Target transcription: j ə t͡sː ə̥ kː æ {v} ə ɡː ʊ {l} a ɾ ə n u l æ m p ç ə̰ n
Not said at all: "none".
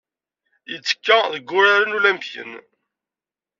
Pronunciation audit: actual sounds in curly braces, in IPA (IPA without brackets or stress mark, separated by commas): ð, ɾ